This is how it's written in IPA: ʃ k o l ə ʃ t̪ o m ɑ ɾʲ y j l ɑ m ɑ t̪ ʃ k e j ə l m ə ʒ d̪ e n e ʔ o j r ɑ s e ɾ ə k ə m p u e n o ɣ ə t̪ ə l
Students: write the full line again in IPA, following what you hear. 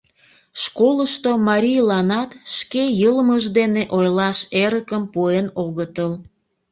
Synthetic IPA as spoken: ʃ k o l ə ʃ t̪ o m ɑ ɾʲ i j l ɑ n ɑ t̪ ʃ k e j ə l m ə ʒ d̪ e n e ʔ o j l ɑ ʃ e ɾ ə k ə m p u e n o ɣ ə t̪ ə l